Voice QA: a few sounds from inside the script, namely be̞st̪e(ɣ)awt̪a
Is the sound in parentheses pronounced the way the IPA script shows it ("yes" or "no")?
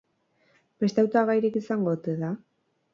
no